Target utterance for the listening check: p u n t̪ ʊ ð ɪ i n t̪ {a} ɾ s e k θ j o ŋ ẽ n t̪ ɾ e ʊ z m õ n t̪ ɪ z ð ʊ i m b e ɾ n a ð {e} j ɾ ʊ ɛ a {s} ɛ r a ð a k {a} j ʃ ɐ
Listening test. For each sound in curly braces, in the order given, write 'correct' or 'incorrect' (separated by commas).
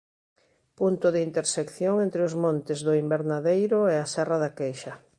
incorrect, correct, correct, incorrect